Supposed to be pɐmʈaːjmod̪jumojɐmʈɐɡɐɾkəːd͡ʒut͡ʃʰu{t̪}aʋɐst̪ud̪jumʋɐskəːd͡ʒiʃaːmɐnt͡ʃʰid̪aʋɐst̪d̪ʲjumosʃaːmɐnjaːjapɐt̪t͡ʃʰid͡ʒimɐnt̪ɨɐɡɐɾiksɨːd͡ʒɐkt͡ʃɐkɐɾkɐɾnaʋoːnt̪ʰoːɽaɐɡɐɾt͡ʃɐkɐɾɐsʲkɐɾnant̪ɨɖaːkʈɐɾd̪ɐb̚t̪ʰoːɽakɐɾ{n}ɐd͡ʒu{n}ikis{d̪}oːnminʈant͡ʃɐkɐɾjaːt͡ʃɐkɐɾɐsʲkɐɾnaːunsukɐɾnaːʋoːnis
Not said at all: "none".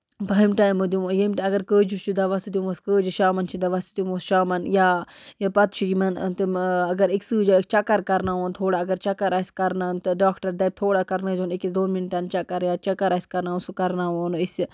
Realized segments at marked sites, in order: d̪, n, n, d̪

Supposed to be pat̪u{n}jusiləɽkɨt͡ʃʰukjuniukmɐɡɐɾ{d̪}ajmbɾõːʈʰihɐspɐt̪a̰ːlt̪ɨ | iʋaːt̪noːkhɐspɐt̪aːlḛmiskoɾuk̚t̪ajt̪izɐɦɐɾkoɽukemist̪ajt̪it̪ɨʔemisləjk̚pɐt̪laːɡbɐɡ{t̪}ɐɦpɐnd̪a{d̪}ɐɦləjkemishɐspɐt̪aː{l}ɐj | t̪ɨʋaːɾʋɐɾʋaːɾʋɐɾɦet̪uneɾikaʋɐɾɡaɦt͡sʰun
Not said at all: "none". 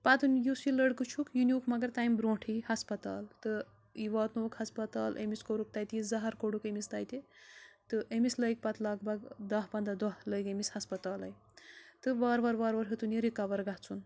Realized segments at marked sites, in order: n, t̪, d̪, d̪, l

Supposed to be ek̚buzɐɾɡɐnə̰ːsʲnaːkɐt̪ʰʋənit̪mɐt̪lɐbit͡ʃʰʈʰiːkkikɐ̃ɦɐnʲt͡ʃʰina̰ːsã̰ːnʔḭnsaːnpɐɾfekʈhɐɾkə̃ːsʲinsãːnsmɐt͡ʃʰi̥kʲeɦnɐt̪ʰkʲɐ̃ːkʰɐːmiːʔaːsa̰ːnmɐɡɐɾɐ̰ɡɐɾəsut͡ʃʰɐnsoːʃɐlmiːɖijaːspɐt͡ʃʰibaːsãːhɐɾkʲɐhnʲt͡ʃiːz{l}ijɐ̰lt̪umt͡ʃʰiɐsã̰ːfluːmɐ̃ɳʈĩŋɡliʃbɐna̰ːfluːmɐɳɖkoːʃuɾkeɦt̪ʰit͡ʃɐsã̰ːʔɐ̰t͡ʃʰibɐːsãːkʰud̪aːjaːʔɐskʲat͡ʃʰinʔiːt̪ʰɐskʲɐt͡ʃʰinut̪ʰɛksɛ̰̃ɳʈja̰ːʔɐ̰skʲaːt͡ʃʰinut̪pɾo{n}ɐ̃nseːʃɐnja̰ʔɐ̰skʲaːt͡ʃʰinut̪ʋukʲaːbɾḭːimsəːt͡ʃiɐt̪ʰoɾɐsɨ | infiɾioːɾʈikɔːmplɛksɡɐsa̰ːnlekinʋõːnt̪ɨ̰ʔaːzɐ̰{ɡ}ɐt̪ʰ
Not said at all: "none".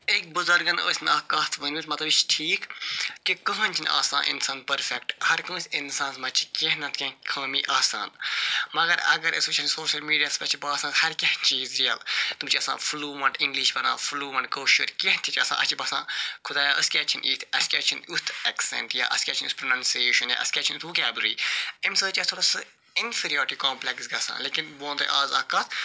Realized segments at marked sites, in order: ɾ, n, k

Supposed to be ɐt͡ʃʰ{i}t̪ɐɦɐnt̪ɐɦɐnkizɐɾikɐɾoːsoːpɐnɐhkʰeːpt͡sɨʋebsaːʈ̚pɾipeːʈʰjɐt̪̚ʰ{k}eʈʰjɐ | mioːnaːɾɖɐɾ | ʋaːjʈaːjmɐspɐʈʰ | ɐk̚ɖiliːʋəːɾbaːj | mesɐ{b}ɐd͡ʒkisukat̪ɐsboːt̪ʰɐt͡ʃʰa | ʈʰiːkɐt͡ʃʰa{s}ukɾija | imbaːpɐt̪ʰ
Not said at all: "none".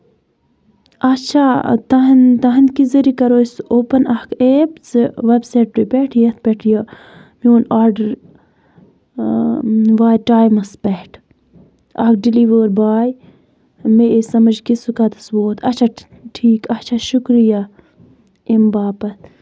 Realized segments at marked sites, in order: a, p, m, ʃ

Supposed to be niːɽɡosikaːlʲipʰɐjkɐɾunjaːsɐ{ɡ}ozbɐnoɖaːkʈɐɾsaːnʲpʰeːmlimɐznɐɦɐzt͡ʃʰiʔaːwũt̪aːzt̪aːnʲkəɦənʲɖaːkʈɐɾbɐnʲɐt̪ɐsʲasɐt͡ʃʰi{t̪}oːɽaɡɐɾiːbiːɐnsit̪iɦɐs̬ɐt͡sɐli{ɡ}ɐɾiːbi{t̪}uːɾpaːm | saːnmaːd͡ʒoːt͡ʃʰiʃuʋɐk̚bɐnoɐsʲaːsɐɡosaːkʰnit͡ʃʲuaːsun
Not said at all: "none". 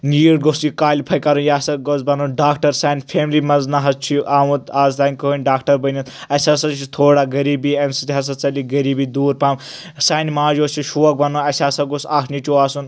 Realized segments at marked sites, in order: ɡ, t̪ʰ, ɡ, d̪

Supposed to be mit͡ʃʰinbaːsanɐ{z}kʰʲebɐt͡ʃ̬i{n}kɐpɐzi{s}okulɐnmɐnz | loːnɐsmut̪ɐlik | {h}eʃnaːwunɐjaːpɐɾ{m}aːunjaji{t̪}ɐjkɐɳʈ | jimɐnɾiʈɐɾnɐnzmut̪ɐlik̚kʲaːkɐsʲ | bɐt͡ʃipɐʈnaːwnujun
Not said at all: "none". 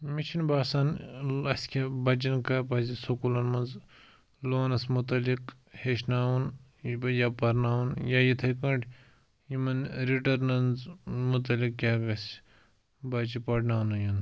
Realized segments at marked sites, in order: s, n, s, h, n, t̪ʰ

